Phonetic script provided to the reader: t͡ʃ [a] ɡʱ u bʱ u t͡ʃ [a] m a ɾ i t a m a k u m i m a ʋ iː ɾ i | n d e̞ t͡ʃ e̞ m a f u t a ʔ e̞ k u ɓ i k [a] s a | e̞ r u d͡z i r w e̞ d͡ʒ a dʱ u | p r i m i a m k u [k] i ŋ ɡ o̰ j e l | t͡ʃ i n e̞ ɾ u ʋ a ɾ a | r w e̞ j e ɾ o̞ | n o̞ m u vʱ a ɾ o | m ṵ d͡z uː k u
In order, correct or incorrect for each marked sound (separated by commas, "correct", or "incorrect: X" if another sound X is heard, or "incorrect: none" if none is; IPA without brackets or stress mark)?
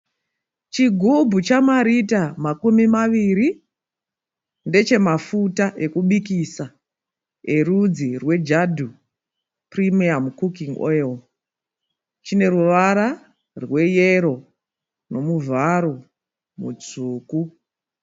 incorrect: i, correct, incorrect: i, correct